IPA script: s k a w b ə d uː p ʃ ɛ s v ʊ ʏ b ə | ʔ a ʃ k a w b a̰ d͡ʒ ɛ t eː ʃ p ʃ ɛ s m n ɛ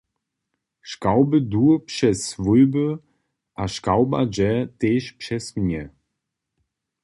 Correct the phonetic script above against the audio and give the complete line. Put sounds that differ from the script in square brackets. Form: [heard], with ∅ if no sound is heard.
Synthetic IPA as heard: [ʃ] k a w b ə d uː p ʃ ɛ s v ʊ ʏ b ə | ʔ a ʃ k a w b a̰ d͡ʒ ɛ t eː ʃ p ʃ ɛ s m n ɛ